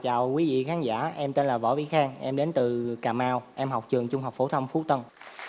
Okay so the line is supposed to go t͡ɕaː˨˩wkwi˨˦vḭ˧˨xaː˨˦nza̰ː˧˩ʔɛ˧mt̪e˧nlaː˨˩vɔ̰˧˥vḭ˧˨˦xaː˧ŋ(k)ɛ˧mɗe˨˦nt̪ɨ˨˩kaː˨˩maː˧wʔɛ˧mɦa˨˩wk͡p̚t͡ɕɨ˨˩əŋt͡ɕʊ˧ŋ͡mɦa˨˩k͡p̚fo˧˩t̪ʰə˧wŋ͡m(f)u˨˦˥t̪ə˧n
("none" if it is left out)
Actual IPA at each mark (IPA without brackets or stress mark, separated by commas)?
ʔ, f